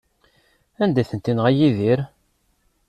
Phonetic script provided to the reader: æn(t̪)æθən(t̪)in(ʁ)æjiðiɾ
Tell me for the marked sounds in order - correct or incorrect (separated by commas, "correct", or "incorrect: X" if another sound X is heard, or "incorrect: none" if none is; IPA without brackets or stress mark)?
incorrect: d̪, correct, correct